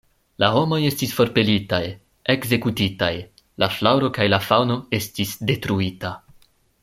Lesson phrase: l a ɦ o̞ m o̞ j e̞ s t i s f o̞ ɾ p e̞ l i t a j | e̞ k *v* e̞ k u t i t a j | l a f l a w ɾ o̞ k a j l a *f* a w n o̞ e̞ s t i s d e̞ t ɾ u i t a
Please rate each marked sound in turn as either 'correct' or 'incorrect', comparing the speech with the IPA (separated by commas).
incorrect, correct